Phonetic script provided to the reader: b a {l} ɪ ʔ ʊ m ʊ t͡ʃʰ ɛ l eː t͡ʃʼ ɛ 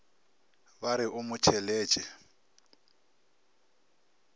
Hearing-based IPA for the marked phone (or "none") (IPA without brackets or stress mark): ɾ